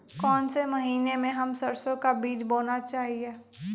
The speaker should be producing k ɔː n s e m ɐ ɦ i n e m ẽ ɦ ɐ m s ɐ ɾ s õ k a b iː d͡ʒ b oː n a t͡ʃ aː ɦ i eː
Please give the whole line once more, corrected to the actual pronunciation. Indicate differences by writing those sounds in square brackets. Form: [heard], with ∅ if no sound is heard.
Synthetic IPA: k ɔː n s e m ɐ ɦ [iː] n e m ẽ ɦ ɐ m s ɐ ɾ s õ k a b iː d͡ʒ b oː n a t͡ʃ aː ɦ i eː